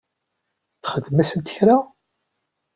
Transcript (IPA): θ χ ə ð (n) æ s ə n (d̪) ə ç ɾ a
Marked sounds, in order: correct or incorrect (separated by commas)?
incorrect, incorrect